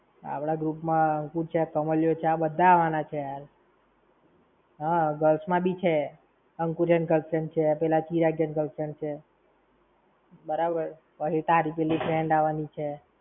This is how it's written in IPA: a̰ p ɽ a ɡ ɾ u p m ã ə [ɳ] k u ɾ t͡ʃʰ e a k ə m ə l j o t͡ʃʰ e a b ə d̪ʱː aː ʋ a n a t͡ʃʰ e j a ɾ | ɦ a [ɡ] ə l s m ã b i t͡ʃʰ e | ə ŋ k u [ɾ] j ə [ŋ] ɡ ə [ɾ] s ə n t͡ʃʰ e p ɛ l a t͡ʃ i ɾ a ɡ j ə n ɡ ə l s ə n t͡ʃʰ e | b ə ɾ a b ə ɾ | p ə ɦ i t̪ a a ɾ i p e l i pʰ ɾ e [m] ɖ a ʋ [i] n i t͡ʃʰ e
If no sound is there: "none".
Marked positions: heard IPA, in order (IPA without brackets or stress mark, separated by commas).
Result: ŋ, ɡ, ɾ, n, l, ɳ, a